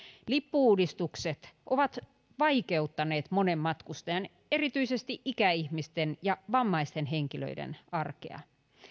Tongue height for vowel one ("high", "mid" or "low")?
high